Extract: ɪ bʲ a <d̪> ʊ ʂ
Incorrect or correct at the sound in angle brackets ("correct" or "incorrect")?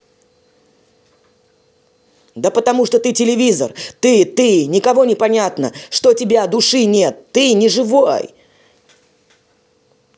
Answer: correct